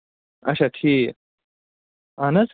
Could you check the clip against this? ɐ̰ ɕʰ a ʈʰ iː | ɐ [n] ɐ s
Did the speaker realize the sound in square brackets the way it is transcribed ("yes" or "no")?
yes